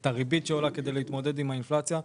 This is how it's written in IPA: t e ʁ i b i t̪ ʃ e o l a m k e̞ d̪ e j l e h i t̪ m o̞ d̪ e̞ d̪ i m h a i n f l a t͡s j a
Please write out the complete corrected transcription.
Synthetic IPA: t a ʁ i b i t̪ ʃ e o l a k e̞ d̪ e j l e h i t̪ m o̞ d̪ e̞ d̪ i m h a i n f l a t͡s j a